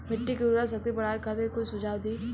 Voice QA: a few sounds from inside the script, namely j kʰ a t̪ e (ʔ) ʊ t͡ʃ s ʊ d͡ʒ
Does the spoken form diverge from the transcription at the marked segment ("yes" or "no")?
yes